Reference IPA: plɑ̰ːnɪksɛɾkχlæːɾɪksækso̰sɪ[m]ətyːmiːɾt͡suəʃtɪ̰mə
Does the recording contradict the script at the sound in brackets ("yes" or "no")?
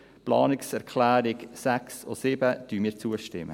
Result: yes